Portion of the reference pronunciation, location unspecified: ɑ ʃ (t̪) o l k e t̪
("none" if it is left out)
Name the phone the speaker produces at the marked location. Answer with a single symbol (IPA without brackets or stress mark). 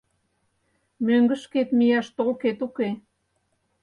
t̪